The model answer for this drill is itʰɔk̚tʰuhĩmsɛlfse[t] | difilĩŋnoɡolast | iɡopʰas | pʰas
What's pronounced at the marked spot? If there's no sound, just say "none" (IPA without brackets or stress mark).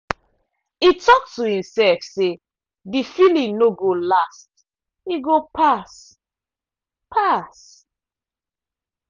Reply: none